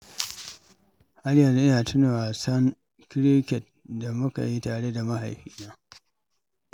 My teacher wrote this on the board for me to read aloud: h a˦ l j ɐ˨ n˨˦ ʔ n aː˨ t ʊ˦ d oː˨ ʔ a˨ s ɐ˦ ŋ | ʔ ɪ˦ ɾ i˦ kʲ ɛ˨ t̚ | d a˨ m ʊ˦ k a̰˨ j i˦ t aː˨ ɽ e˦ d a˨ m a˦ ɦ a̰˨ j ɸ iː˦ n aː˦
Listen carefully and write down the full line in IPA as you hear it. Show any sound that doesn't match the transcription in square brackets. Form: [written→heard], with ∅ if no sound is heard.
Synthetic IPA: h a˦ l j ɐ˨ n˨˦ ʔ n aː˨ t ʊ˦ [d→n] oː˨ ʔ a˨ s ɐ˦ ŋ | [ʔ→k] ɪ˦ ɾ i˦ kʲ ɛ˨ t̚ | d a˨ m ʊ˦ k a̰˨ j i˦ t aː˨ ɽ e˦ d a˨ m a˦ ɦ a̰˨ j ɸ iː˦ n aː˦